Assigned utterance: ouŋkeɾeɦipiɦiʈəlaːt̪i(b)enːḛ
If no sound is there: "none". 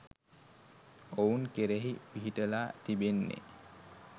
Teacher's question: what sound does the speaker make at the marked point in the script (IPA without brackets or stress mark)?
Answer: b